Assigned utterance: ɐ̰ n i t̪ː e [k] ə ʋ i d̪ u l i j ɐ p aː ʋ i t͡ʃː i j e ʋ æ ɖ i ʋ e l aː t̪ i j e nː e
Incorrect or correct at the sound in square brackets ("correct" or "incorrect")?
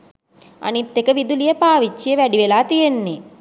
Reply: correct